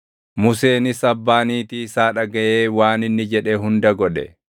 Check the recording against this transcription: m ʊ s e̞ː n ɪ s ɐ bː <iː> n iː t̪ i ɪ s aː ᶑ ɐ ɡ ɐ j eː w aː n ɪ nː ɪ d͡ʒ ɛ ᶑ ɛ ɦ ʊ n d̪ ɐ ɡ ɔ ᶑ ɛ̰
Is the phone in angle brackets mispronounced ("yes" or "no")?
yes